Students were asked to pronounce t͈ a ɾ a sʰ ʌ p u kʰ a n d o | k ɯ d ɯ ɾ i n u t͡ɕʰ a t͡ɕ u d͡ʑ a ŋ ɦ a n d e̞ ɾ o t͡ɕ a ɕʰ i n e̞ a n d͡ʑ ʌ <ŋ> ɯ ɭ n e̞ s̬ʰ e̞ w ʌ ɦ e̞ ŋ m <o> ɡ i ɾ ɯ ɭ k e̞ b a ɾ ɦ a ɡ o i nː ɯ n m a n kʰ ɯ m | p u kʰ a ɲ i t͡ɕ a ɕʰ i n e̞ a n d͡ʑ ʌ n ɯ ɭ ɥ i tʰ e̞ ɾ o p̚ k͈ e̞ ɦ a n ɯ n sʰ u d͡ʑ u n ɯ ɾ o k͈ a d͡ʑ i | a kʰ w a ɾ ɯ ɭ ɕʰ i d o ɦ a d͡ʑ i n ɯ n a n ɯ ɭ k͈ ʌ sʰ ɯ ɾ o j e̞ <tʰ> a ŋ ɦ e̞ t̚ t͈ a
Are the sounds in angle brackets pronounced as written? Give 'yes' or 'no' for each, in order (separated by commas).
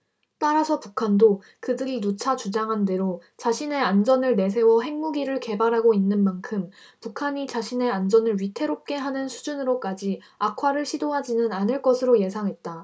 no, no, no